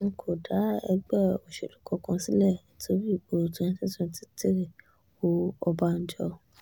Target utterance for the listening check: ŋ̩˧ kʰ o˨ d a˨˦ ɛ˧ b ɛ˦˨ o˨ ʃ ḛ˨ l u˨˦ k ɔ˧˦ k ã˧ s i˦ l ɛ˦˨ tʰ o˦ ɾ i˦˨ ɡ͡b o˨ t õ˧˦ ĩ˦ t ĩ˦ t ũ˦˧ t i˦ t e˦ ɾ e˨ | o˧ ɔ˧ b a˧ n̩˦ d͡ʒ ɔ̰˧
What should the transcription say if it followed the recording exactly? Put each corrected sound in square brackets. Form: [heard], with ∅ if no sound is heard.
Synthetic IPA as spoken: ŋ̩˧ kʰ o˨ d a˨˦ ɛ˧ [ɡ͡b] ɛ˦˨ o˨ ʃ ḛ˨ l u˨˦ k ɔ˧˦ k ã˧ s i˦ l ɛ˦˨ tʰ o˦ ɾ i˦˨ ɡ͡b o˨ t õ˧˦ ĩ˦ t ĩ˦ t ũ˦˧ t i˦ t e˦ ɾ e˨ | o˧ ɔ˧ b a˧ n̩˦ d͡ʒ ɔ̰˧